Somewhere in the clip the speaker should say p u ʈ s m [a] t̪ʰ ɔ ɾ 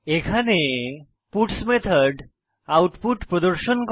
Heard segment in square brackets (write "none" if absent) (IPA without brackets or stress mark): e